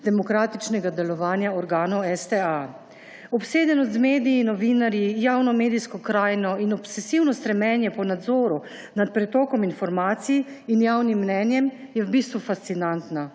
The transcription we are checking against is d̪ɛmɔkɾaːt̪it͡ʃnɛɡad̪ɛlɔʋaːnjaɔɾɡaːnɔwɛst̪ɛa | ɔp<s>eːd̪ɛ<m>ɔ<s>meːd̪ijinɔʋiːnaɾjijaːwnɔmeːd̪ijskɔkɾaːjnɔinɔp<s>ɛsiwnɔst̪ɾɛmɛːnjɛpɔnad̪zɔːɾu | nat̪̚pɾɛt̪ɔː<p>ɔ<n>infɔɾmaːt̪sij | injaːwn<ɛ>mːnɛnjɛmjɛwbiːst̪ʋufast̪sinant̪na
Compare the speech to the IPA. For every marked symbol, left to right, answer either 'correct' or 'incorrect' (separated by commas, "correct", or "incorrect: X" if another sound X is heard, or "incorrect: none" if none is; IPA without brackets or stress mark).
correct, incorrect: n, incorrect: z, correct, incorrect: k, incorrect: m, incorrect: i